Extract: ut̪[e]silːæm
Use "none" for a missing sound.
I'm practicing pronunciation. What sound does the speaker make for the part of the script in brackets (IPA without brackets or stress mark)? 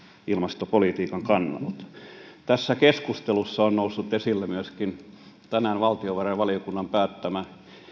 e